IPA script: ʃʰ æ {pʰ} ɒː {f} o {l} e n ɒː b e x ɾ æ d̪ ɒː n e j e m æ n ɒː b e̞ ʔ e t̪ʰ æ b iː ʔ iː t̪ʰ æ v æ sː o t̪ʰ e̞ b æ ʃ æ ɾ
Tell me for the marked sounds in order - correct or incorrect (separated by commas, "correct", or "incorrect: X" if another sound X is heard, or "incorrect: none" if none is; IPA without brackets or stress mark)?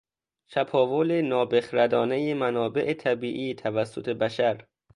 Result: correct, incorrect: v, correct